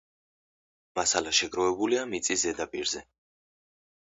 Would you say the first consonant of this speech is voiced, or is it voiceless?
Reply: voiced